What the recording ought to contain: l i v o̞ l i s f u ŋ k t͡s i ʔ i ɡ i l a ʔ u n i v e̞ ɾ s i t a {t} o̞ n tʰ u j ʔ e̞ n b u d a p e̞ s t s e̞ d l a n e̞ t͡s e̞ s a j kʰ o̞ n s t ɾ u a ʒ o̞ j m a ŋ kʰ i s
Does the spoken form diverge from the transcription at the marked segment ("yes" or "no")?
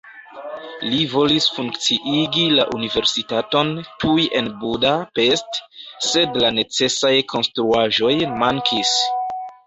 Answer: no